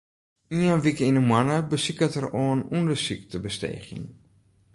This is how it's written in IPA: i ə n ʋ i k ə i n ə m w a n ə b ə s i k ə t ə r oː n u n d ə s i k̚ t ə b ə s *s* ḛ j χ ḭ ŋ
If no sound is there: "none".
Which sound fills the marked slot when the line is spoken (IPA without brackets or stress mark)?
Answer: t